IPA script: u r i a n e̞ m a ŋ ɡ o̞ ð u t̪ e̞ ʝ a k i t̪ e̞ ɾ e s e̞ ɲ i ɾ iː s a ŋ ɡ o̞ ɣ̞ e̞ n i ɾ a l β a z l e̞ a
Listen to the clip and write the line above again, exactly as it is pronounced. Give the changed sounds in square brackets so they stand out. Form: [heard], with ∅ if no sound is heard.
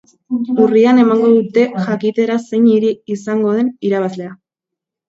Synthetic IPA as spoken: u r i a n e̞ m a ŋ ɡ o̞ ð u t̪ e̞ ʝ a k i t̪ e̞ ɾ [a] s e̞ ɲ i ɾ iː s a ŋ ɡ o̞ [ð̞] e̞ n i ɾ a [∅] β a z l e̞ a